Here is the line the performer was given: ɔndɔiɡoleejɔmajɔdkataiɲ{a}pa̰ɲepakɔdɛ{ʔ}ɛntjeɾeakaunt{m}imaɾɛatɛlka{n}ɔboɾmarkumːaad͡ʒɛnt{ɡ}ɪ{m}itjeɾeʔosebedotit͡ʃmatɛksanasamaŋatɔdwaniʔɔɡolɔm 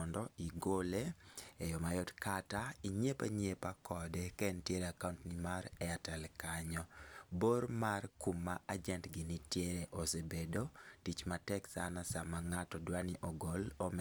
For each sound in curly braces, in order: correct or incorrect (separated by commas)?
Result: incorrect, incorrect, incorrect, incorrect, correct, incorrect